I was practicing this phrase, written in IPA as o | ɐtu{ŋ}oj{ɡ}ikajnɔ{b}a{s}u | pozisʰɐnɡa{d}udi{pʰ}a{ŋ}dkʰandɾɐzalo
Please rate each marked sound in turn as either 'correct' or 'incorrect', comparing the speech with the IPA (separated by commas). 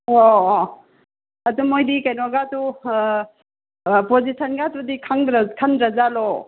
incorrect, incorrect, incorrect, incorrect, incorrect, incorrect, correct